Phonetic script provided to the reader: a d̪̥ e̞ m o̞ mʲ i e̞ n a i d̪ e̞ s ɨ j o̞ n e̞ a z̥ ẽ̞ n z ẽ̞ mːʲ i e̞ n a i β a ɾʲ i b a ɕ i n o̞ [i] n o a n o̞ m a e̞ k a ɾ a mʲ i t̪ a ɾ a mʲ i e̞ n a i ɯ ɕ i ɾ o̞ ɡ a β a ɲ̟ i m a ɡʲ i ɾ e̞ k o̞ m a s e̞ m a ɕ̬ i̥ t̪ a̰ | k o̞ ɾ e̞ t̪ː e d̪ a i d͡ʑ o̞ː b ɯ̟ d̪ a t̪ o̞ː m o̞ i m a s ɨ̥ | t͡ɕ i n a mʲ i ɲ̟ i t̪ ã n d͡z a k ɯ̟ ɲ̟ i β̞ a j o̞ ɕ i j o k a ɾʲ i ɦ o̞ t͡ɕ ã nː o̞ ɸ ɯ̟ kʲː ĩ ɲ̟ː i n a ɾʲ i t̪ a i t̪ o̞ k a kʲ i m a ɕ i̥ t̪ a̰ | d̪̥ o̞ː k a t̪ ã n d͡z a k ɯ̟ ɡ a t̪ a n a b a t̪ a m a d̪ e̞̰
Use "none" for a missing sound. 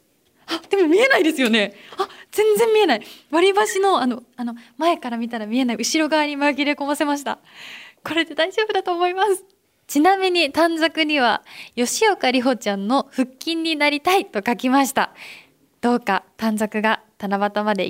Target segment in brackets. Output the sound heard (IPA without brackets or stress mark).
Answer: a